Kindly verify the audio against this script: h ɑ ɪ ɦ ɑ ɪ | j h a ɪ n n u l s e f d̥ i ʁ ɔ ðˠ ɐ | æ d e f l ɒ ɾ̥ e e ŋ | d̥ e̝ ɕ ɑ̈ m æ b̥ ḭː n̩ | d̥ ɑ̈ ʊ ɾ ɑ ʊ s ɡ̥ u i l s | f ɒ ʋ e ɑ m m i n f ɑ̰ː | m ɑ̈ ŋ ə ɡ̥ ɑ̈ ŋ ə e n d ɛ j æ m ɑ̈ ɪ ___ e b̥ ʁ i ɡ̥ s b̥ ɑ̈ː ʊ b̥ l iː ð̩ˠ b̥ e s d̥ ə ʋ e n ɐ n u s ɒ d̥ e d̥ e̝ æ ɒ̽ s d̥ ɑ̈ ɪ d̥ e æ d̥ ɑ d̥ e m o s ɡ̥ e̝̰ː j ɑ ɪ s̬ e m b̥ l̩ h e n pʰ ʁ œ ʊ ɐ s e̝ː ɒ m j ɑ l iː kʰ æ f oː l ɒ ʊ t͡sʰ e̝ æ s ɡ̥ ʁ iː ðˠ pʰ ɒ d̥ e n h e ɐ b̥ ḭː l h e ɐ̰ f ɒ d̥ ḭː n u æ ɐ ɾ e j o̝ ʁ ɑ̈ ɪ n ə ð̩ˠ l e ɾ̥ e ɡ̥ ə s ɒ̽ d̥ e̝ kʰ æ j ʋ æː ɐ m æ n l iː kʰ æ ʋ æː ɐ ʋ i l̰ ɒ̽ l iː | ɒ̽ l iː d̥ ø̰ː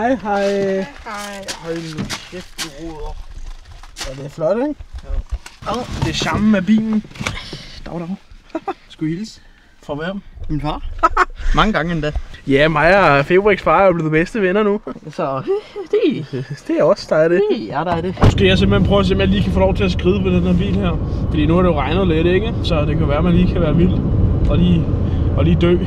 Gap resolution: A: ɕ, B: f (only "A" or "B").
B